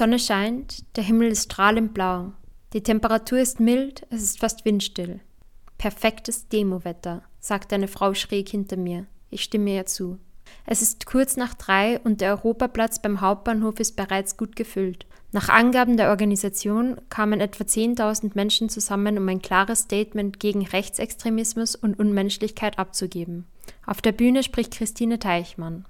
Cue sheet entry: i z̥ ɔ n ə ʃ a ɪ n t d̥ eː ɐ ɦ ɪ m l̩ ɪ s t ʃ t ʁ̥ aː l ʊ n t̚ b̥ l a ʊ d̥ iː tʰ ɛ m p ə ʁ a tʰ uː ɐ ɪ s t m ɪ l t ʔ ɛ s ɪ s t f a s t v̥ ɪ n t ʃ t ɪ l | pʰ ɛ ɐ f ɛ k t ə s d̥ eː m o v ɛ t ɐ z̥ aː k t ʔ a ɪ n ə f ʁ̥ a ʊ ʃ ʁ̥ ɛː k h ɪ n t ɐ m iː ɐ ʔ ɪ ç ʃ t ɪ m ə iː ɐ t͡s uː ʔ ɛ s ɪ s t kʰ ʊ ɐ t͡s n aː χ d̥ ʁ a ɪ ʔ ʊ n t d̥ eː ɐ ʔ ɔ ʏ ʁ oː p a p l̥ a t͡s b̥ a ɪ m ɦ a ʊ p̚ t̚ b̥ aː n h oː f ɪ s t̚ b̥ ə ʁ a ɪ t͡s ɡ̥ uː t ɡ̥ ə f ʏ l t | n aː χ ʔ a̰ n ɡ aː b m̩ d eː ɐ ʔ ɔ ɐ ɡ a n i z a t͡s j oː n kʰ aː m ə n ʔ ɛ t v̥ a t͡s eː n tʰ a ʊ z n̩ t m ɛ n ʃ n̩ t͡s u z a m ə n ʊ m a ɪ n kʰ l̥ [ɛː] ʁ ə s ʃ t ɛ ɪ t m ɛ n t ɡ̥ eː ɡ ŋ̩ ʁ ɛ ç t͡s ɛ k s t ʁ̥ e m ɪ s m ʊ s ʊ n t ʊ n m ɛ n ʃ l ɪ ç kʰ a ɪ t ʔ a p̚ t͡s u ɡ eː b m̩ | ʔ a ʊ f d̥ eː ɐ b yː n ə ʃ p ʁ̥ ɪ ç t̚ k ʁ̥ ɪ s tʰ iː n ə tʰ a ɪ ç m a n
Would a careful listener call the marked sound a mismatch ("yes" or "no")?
yes